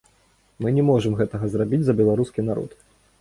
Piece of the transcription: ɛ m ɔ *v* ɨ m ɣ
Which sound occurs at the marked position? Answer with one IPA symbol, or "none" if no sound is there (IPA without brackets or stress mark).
ʐ